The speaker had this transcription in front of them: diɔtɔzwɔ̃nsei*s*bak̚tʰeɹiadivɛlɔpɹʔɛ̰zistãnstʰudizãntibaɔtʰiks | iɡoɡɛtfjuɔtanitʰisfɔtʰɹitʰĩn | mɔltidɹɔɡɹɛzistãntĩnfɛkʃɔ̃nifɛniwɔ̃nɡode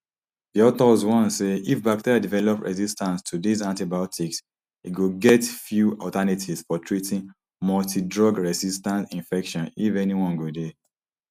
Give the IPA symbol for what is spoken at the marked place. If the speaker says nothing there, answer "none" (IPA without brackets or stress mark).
f